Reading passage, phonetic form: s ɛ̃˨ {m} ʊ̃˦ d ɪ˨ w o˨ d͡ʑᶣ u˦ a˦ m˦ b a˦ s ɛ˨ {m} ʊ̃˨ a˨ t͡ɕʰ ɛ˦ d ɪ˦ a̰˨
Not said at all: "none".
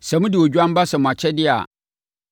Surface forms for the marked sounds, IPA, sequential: m, m

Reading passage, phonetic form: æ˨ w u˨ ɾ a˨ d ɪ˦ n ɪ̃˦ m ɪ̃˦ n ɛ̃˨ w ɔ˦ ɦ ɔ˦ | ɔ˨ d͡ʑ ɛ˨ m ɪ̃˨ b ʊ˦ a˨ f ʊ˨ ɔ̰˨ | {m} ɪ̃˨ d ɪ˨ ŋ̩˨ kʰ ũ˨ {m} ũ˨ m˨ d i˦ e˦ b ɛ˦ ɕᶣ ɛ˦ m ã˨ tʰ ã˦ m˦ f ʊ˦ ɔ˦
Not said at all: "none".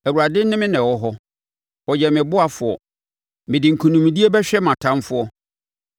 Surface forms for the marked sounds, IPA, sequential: m, n

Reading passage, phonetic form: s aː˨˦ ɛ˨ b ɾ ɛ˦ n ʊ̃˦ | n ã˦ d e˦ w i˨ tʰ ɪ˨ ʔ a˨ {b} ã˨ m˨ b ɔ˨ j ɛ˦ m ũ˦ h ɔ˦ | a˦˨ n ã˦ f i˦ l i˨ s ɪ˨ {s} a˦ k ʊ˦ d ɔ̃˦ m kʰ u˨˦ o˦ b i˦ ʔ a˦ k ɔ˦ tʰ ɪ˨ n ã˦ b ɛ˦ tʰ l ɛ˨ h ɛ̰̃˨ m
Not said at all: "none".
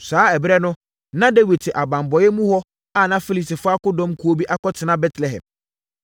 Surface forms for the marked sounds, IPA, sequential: b, f

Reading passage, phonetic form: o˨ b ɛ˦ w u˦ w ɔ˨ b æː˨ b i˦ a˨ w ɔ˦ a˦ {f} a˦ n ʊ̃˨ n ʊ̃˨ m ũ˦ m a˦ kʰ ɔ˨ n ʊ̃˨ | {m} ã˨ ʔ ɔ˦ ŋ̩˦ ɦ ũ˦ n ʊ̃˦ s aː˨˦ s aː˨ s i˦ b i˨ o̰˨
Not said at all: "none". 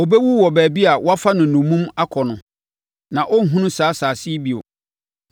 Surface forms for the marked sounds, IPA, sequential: f, n

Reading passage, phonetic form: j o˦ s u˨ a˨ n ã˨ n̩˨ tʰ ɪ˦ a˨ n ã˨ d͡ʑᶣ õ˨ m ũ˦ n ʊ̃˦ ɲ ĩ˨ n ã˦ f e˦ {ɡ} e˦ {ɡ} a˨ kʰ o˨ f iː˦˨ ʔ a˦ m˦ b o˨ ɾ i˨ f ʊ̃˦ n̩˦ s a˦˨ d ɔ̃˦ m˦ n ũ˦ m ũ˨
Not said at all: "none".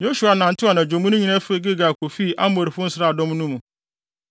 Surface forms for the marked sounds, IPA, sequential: ɡ, ɡ

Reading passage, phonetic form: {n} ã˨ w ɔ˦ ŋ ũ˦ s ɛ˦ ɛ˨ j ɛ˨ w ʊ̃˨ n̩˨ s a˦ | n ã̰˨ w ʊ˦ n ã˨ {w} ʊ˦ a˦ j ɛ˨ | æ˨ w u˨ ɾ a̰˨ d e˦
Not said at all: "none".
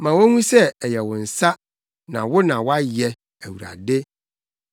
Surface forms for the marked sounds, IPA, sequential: m, w

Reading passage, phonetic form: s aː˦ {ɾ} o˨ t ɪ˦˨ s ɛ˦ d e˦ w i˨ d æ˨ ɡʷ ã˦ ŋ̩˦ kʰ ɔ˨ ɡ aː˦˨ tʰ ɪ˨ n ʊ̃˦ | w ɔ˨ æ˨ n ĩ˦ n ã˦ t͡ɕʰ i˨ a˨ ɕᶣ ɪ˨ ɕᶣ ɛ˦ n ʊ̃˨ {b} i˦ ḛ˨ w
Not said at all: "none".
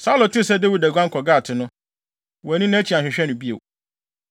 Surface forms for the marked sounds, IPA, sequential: l, b

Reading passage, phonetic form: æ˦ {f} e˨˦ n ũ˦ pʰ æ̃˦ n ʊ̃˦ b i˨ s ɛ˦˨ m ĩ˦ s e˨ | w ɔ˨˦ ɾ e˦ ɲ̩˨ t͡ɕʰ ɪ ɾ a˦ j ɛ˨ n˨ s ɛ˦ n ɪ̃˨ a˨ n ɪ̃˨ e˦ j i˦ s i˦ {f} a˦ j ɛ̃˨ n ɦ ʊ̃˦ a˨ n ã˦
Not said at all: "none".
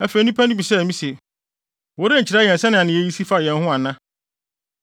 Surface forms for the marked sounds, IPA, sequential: f, f

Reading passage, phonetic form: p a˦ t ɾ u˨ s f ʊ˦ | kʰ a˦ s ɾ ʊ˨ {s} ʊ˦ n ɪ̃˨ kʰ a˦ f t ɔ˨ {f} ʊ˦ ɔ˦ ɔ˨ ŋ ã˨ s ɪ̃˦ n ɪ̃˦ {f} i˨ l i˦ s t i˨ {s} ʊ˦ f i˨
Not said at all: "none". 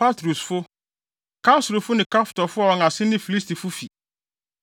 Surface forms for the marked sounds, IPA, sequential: f, f, f, f

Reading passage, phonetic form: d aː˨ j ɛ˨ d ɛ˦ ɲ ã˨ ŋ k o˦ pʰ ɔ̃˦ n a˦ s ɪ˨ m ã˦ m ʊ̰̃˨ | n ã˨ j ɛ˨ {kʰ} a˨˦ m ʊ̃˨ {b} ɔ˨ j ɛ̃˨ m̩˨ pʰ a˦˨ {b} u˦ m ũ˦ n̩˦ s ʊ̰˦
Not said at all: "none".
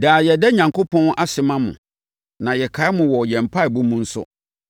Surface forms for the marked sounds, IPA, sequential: kʰ, w, b

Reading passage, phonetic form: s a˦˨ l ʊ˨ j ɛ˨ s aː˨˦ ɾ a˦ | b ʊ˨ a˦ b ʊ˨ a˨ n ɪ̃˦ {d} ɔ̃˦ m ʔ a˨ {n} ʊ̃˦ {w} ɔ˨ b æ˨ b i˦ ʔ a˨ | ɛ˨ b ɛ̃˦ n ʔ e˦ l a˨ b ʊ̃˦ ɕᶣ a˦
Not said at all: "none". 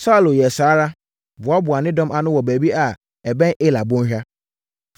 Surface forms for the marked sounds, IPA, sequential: d, n, w

